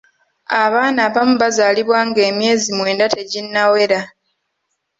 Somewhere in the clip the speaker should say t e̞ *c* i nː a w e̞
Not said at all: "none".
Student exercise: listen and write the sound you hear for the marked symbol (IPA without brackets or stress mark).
ɟ